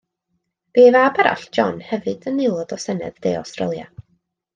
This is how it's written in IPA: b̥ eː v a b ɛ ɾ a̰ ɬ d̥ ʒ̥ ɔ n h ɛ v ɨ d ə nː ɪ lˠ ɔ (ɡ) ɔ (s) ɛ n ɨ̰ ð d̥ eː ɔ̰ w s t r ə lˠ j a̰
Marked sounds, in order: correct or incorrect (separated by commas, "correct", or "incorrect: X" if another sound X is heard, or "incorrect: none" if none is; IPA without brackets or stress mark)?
incorrect: d, correct